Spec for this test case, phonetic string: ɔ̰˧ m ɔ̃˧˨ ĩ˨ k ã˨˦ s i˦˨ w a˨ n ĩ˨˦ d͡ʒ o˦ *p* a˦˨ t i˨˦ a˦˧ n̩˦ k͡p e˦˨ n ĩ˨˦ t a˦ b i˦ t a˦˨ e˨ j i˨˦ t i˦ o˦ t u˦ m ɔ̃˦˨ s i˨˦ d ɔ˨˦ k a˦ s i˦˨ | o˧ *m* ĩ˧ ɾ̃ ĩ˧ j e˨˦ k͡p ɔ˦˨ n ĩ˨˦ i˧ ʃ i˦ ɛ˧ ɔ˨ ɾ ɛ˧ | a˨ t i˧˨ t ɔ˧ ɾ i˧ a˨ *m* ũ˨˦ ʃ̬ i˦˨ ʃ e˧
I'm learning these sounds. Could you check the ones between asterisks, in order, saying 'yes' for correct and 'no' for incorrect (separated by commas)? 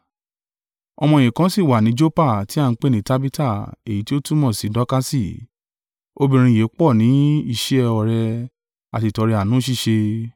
yes, no, no